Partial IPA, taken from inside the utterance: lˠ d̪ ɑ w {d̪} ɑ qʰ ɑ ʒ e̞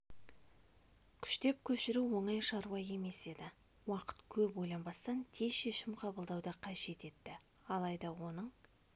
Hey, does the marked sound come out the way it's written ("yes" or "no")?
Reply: yes